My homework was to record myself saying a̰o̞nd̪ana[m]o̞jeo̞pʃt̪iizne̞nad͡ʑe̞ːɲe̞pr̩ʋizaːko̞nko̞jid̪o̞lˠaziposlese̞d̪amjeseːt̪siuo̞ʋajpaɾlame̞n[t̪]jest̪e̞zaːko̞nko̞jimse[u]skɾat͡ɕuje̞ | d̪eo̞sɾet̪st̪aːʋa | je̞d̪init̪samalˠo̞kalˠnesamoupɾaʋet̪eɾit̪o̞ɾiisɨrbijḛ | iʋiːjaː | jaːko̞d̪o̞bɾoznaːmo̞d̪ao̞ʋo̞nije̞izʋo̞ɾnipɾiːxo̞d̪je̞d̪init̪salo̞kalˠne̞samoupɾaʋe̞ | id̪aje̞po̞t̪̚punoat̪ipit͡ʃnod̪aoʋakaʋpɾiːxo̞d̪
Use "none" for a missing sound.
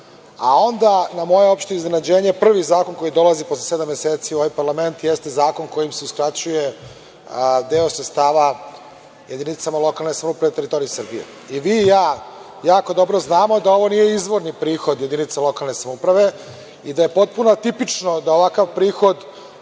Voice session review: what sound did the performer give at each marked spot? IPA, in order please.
m, t̪, u

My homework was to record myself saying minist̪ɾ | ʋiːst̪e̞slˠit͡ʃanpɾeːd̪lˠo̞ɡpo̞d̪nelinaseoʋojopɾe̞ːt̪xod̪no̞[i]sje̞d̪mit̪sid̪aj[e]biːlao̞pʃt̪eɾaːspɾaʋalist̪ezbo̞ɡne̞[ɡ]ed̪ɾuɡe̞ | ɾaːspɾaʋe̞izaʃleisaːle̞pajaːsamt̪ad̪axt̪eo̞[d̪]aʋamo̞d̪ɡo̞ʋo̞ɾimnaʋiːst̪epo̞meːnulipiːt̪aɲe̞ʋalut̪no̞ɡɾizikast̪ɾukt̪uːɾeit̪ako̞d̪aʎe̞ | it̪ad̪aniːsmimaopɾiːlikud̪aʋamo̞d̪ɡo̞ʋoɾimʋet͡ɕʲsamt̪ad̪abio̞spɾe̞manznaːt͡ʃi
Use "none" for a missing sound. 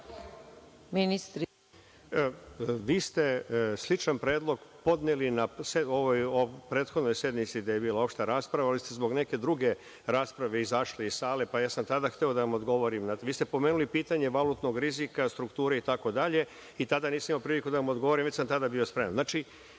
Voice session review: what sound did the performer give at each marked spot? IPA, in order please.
j, e, k, d̪

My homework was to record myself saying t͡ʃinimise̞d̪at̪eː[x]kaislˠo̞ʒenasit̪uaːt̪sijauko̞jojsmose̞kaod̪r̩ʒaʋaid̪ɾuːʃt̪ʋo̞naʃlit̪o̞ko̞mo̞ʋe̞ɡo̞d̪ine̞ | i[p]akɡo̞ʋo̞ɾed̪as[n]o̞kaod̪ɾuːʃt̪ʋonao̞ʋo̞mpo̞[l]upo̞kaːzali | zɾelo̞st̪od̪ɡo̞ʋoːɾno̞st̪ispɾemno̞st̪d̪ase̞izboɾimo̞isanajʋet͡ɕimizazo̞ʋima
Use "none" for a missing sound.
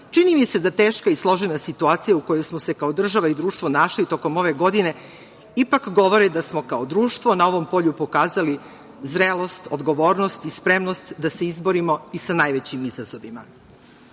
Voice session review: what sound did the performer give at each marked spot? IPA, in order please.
ʃ, p, m, ʎ

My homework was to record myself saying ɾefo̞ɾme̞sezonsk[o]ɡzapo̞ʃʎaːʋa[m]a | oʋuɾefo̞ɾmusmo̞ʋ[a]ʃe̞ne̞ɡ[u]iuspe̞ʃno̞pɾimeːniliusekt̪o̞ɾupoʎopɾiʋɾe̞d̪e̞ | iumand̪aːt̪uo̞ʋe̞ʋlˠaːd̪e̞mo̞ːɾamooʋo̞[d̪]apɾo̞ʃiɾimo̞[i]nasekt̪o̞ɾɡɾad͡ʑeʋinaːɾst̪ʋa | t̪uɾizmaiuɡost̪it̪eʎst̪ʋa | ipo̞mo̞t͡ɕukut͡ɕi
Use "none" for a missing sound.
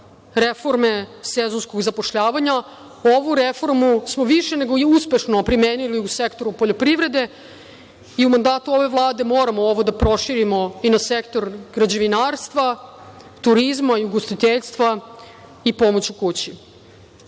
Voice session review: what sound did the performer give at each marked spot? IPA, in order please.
o, ɲ, i, o, d̪, i

